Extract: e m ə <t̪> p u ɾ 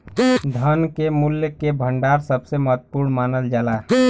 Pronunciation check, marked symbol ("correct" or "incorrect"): correct